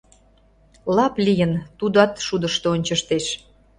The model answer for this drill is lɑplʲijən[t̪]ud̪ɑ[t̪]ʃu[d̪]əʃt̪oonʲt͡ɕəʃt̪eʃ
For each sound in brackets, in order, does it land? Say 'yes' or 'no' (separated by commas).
yes, yes, yes